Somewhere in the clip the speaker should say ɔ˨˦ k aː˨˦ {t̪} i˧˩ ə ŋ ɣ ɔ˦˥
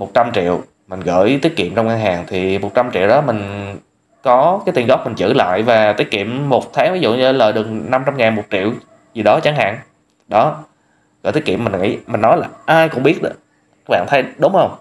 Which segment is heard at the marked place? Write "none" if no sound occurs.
t̪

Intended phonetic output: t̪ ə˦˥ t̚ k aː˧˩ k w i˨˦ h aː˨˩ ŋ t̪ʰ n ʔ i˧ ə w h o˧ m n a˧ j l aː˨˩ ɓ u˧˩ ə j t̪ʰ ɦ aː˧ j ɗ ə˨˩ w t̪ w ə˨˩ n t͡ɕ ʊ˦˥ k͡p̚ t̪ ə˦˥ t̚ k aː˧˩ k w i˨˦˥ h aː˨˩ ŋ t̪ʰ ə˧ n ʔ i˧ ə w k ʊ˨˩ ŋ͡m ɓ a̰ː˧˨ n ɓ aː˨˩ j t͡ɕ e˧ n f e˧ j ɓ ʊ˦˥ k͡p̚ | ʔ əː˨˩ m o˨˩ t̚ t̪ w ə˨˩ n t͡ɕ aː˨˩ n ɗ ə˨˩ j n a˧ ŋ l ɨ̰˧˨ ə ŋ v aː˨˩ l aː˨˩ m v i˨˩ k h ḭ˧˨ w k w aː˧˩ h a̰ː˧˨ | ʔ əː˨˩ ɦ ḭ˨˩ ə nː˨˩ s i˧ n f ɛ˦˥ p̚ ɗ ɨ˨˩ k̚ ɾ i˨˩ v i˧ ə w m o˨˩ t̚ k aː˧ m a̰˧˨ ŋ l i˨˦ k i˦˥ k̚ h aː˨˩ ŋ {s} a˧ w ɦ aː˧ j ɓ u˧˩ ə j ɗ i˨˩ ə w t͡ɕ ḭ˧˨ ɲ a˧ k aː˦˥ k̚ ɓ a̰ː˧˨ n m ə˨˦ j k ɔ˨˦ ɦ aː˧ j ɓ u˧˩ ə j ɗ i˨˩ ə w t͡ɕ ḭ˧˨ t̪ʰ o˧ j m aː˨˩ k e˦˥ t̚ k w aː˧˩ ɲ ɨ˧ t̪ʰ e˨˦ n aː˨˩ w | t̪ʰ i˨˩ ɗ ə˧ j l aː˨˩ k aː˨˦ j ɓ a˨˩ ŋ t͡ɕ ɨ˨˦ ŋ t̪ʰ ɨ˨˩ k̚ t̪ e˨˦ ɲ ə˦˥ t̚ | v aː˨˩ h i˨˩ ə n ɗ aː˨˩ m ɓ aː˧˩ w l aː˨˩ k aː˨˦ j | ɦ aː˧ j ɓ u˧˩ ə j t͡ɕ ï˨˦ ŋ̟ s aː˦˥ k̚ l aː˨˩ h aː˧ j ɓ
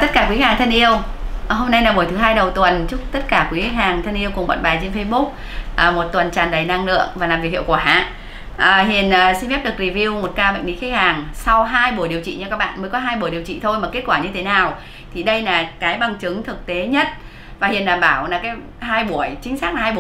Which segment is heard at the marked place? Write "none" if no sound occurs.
s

